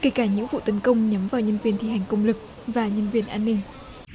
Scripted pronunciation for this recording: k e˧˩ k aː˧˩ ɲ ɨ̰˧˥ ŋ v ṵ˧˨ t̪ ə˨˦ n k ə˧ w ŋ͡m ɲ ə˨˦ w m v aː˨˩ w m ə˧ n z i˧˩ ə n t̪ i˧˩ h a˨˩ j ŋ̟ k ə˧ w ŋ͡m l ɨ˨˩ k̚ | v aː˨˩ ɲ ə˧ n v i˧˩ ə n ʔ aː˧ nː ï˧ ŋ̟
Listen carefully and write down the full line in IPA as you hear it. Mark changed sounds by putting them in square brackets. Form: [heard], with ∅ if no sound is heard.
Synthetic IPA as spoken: k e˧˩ k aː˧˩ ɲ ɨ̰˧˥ ŋ v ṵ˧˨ t̪ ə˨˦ n k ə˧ w ŋ͡m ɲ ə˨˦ [∅] m v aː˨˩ w [ɲ] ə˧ n [v] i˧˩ ə n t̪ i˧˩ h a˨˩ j ŋ̟ k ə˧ w ŋ͡m l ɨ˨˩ k̚ | v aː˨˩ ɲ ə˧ n v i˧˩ ə n ʔ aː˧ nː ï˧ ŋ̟

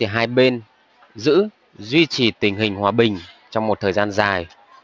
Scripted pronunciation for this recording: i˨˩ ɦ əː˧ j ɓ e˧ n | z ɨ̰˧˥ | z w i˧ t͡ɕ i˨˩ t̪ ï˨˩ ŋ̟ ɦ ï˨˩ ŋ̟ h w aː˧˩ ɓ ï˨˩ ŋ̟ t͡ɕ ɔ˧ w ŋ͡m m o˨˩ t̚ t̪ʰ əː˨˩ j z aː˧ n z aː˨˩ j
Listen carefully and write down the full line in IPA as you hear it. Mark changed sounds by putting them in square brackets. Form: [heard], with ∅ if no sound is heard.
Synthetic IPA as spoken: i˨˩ ɦ [aː˧] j ɓ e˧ n | z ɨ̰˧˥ | z w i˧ t͡ɕ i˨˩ t̪ ï˨˩ ŋ̟ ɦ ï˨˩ ŋ̟ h w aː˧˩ ɓ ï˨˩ ŋ̟ t͡ɕ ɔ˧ w ŋ͡m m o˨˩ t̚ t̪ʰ əː˨˩ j z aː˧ n z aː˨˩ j

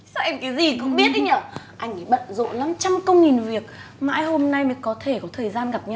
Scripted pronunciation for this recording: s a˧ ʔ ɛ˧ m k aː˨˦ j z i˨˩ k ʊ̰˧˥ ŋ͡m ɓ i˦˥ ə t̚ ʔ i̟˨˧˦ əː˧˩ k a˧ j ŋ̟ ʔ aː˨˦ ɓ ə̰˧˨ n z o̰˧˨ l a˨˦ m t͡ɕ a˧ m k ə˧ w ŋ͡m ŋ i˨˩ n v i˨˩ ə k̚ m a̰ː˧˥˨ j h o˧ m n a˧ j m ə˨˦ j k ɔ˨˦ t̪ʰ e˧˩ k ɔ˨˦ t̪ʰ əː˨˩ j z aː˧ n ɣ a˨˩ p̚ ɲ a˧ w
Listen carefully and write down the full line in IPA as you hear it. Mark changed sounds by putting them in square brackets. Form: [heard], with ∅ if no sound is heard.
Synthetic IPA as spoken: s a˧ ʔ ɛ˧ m k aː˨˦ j z i˨˩ k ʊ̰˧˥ ŋ͡m ɓ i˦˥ ə t̚ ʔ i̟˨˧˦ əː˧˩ [ʔ] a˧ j ŋ̟ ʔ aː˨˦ ɓ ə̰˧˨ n z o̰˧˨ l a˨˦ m t͡ɕ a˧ m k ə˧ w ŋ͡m ŋ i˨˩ n v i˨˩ ə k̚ m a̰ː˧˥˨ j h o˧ m n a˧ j m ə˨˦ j k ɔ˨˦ t̪ʰ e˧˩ k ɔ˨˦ t̪ʰ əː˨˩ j z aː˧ n ɣ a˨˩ p̚ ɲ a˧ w

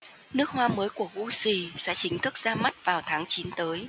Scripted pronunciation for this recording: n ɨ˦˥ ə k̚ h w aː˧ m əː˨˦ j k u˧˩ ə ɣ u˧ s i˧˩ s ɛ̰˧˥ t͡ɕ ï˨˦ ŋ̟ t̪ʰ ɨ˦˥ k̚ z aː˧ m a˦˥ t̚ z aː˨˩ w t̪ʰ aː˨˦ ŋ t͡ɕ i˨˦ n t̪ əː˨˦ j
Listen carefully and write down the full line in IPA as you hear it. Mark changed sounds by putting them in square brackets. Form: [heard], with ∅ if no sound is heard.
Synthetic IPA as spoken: n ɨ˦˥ ə k̚ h w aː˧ m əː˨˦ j k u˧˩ ə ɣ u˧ s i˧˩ s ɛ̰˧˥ t͡ɕ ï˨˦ ŋ̟ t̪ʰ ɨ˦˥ k̚ z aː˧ m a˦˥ t̚ [v] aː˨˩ w t̪ʰ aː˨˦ ŋ t͡ɕ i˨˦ n t̪ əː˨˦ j

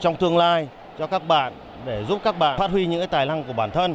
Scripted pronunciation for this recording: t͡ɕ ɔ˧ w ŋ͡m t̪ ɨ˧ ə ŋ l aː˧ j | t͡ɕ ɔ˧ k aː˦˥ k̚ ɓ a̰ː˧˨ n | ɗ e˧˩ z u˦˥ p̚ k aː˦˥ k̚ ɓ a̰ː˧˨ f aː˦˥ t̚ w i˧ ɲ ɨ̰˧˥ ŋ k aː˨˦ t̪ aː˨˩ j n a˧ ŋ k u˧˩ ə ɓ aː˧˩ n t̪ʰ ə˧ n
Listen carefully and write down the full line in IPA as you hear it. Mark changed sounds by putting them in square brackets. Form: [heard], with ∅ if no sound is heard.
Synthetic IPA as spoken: t͡ɕ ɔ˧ w ŋ͡m t̪ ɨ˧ ə ŋ l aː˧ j | t͡ɕ ɔ˧ k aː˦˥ k̚ ɓ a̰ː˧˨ n | ɗ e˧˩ z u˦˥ p̚ k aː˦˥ k̚ ɓ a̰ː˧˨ f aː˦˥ t̚ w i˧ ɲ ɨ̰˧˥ ŋ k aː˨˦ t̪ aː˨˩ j n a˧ ŋ k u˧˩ ə ɓ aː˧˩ n t̪ʰ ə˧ n

